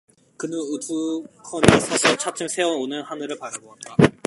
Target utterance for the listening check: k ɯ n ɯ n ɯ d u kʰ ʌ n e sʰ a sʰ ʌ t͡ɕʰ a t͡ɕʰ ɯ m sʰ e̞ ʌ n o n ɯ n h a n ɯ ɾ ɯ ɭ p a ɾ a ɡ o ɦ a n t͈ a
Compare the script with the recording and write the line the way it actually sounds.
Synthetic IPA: k ɯ n ɯ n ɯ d u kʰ ʌ n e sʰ ʌ sʰ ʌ t͡ɕʰ a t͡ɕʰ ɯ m sʰ e̞ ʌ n o n ɯ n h a n ɯ ɾ ɯ ɭ p a ɾ a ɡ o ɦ a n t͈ a